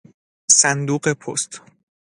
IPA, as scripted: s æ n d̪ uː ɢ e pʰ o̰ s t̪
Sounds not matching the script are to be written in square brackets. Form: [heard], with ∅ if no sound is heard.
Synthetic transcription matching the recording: s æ n d̪ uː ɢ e pʰ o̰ s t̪